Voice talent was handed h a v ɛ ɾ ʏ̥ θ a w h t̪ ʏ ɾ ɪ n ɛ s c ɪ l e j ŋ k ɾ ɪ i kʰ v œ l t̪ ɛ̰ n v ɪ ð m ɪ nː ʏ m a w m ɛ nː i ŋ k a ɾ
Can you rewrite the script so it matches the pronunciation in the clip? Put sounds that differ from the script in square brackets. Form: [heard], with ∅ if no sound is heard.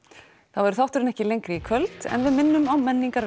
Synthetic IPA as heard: [θ] a v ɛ ɾ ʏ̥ θ a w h t̪ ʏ ɾ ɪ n ɛ [h] c ɪ l e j ŋ k ɾ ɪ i kʰ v œ l t̪ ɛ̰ n v ɪ ð m ɪ nː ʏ m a w m ɛ nː i ŋ k a ɾ